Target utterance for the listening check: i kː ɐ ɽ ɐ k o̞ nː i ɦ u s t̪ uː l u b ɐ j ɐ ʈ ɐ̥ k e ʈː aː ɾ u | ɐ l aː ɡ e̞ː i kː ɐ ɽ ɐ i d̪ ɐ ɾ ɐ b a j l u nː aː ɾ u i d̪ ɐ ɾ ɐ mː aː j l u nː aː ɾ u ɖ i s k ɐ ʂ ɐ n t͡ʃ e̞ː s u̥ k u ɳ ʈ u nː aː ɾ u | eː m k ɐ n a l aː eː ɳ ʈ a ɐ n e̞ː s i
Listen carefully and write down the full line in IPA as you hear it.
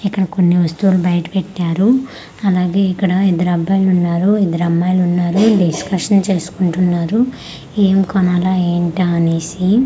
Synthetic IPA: i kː ɐ ɽ ɐ k o̞ nː i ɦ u s t̪ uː l u b ɐ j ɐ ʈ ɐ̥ p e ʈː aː ɾ u | ɐ l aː ɡ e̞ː i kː ɐ ɽ ɐ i d̪ ɐ ɾ ɐ b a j l u nː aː ɾ u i d̪ ɐ ɾ ɐ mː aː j l u nː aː ɾ u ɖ i s k ɐ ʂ ɐ n t͡ʃ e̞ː s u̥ k u ɳ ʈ u nː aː ɾ u | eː m k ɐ n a l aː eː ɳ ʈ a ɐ n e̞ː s i